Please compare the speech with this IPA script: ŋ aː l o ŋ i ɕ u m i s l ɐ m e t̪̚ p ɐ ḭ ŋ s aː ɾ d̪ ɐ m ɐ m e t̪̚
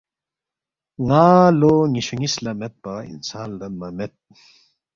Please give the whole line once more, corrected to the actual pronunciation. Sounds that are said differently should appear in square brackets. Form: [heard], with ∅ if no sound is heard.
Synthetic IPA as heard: ŋ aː l o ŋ i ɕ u [ŋ] i s l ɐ m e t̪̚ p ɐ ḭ [n] s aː [l] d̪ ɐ m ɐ m e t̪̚